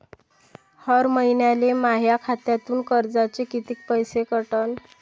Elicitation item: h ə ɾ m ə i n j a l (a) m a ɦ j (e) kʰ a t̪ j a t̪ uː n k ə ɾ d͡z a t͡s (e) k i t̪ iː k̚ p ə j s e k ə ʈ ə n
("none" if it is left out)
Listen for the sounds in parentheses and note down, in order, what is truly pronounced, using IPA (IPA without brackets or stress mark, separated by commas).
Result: e, a, e